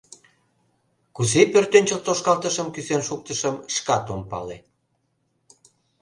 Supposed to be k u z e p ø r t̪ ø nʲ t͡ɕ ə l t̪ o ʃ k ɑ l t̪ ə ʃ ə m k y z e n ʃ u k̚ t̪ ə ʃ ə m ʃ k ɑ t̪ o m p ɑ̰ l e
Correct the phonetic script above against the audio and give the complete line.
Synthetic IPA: k u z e p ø r t̪ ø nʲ t͡ɕ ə l t̪ o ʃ k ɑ l t̪ ə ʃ ə m k y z e n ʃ u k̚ t̪ ə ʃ ə m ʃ k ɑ t̪ o m p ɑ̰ l e